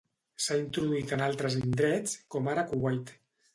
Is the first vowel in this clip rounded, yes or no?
no